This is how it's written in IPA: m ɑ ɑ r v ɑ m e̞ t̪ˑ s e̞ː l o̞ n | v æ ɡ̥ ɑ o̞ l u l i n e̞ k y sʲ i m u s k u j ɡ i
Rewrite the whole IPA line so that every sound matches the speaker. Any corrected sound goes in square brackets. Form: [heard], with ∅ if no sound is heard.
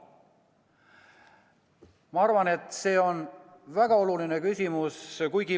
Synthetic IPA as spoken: m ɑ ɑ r v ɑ [n] e̞ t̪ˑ s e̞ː [∅] o̞ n | v æ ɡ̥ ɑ o̞ l u l i n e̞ k y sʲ i m u s k u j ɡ i